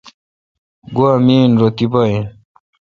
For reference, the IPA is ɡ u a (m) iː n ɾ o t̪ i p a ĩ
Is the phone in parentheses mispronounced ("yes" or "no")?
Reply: no